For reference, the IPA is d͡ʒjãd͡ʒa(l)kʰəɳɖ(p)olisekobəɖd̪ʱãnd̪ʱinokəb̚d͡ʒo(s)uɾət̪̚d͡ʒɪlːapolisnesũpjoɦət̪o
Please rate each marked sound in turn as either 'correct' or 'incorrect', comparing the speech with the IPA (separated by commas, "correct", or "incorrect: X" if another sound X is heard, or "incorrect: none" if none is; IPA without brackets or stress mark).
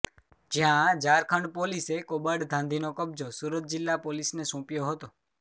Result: incorrect: ɾ, correct, correct